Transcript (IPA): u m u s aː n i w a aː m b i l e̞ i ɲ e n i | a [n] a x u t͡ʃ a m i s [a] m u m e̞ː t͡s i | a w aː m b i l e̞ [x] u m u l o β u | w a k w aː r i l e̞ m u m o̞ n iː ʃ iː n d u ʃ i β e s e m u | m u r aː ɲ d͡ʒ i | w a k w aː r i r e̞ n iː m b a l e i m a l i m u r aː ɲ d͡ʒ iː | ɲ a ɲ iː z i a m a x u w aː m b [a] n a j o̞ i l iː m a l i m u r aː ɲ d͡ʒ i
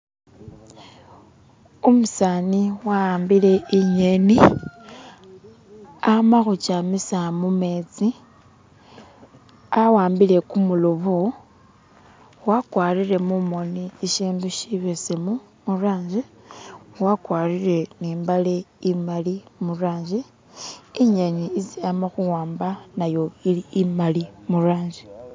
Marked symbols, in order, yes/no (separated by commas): no, yes, no, yes